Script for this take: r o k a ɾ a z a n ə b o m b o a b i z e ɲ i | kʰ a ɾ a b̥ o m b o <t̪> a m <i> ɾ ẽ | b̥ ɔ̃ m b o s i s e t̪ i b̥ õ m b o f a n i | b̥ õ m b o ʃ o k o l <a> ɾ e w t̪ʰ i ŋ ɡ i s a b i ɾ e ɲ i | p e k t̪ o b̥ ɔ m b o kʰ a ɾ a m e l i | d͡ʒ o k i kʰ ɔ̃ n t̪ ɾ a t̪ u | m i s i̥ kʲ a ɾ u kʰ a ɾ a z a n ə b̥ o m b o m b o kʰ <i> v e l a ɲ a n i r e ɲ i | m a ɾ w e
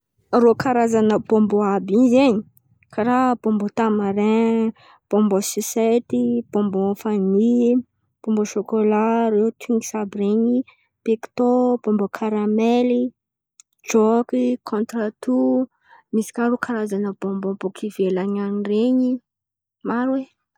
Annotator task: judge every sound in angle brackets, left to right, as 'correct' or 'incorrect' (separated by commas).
correct, incorrect, correct, correct